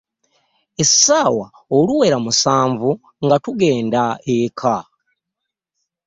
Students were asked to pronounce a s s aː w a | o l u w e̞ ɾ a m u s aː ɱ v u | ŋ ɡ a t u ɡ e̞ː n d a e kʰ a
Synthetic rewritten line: e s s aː w a | o l u w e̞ ɾ a m u s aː ɱ v u | ŋ ɡ a t u ɡ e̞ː n d a e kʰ a